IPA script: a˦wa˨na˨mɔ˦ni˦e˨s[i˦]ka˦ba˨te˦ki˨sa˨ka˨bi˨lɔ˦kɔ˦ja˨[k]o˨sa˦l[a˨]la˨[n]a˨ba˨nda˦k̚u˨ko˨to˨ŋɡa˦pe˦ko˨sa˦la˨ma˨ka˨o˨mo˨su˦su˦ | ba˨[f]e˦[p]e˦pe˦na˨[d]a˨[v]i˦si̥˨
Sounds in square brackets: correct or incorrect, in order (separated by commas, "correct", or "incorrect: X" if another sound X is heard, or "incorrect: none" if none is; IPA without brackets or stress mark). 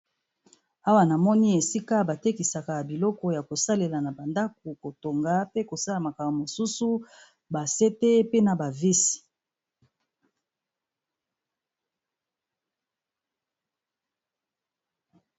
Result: correct, correct, incorrect: e˨, correct, incorrect: s, incorrect: t, incorrect: b, correct